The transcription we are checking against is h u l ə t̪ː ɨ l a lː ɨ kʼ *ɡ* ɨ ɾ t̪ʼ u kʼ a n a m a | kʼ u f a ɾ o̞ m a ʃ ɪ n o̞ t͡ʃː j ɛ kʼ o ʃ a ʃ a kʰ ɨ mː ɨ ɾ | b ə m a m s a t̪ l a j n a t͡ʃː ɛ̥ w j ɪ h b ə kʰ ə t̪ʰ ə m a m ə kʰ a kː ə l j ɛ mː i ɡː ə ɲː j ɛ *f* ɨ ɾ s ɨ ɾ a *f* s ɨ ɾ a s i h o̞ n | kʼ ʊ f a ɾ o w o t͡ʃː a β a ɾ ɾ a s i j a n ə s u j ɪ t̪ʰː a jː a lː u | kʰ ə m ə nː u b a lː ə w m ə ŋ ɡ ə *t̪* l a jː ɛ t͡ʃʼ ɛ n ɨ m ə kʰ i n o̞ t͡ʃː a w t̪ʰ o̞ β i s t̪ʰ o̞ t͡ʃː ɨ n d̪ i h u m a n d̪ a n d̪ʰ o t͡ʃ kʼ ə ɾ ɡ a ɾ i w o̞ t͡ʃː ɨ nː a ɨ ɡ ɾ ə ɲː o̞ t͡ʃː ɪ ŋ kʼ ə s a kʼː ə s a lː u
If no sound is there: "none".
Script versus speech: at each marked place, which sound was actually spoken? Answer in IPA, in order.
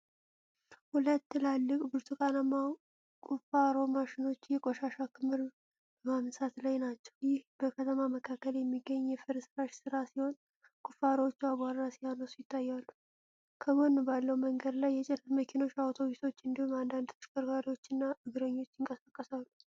b, f, ʃ, d̪

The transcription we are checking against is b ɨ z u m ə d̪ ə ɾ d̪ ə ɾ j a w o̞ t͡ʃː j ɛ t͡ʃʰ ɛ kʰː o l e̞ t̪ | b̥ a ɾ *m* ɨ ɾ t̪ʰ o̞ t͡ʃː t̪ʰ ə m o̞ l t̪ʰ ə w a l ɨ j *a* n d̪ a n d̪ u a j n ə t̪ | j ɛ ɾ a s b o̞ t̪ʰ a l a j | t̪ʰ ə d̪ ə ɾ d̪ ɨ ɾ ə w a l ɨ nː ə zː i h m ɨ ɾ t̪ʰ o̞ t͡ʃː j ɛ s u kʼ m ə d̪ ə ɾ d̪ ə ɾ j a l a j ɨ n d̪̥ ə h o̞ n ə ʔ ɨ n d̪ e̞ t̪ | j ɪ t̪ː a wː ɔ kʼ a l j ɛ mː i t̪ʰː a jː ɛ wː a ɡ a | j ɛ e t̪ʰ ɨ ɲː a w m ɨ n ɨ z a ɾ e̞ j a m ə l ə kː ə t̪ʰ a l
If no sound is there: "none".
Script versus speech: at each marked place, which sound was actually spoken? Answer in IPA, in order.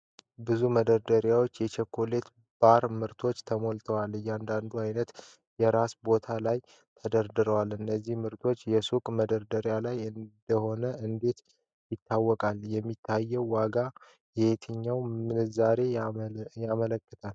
m, a

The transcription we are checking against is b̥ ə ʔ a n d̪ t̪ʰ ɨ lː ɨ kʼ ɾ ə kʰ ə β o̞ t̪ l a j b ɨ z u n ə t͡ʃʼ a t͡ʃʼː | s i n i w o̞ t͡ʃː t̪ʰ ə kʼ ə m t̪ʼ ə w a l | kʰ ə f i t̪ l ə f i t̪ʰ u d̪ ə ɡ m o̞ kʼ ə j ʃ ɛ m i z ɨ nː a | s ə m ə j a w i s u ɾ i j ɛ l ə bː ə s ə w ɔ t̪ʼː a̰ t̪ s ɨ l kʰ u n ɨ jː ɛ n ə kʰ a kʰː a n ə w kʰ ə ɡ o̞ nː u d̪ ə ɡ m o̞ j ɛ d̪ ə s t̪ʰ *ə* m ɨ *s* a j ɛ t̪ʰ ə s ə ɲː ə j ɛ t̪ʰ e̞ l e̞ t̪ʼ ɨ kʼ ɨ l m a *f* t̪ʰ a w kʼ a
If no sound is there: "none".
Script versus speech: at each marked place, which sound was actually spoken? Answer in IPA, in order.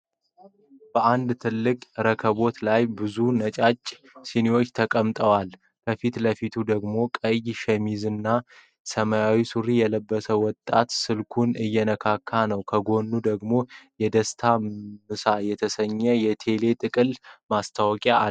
a, s, s

